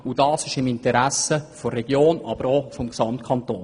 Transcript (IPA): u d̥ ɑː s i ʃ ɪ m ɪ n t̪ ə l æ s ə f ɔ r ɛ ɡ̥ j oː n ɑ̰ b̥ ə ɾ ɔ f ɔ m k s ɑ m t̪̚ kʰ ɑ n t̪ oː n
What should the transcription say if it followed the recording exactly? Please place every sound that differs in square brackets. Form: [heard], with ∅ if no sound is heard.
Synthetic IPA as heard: u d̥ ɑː s [ɪ] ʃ ɪ m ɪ n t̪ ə [ɾ] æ s ə f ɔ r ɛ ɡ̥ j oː n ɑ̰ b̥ ə ɾ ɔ f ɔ m k s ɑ m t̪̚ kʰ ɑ n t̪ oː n